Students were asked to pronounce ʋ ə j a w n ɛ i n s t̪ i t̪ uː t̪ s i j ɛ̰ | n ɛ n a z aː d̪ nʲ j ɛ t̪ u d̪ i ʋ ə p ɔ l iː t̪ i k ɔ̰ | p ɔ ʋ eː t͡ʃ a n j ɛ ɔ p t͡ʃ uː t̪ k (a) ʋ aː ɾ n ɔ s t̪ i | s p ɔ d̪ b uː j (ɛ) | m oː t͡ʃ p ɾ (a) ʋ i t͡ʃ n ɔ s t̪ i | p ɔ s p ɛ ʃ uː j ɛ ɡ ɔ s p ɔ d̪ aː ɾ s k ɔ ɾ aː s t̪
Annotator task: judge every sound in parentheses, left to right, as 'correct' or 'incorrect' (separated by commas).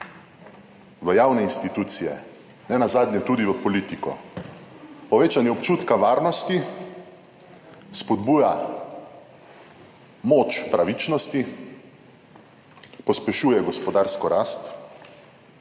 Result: correct, incorrect, correct